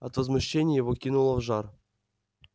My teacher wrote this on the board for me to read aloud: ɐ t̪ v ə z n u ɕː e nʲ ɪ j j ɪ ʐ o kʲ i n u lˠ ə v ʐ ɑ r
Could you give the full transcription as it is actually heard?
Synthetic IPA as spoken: ɐ t̪ v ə z m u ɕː e nʲ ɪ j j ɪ v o kʲ i n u lˠ ə v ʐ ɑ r